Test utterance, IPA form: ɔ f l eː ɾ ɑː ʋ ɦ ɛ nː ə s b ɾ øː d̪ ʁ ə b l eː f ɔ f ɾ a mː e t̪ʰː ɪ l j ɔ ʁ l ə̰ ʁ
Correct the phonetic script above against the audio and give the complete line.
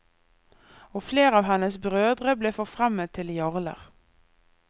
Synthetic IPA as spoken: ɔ f l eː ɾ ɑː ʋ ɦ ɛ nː ə s b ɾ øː d̪ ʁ ə b l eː f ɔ f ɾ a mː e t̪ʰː ɪ l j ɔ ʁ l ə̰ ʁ